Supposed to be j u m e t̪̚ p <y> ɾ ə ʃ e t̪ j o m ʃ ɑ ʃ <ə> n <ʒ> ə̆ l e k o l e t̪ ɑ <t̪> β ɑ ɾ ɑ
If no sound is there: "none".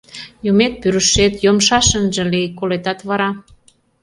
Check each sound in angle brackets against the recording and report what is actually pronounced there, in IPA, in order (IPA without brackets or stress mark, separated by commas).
y, ə, ʒ, t̪